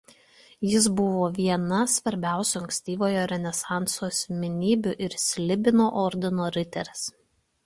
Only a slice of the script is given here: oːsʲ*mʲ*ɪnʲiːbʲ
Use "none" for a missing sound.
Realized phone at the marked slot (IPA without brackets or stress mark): mʲ